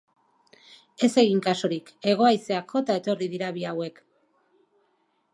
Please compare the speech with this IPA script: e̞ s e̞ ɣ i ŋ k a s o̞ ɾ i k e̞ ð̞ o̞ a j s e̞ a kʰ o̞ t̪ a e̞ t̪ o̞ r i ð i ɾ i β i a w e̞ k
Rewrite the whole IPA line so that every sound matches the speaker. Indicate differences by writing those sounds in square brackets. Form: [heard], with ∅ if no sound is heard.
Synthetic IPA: e̞ s e̞ ɣ i ŋ k a s o̞ ɾ i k e̞ [ɣ̞] o̞ a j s e̞ a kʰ o̞ t̪ a e̞ t̪ o̞ r i ð i ɾ [a] β i a w e̞ k